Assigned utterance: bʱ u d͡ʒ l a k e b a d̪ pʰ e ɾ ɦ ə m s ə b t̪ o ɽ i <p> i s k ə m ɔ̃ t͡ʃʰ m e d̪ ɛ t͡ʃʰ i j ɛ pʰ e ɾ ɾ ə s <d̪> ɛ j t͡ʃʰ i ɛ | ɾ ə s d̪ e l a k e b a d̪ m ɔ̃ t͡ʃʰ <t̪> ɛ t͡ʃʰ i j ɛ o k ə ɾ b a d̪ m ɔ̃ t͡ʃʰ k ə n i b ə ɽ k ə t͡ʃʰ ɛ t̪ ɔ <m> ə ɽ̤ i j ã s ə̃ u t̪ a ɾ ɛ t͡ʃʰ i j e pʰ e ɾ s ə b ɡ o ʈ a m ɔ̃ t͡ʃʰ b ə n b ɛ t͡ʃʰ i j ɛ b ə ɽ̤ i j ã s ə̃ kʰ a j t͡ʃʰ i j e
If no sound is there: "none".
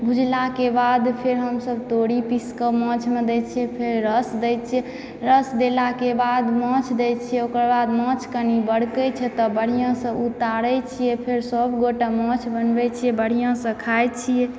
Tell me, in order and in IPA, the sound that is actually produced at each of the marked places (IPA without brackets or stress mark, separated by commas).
p, d̪, d̪, b